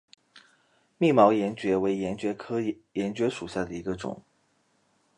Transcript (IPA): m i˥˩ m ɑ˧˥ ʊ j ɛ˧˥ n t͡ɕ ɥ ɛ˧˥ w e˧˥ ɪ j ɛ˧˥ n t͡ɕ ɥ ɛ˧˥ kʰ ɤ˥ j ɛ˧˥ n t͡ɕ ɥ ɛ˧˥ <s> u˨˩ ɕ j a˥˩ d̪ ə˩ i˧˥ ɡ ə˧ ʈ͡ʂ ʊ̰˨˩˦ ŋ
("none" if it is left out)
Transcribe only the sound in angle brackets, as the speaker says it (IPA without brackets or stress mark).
ʂ